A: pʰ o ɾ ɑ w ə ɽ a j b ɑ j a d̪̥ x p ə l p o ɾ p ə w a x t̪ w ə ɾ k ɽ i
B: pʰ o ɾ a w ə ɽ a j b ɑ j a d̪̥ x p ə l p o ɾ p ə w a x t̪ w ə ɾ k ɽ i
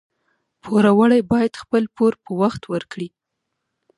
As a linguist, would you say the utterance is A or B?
B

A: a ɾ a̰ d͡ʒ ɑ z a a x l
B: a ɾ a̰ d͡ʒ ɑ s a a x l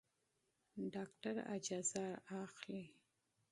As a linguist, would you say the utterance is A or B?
A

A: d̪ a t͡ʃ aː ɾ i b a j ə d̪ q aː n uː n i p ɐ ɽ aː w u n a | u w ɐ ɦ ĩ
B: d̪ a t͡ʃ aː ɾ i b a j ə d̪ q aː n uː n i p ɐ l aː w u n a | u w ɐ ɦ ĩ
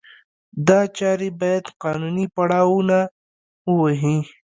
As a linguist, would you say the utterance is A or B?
A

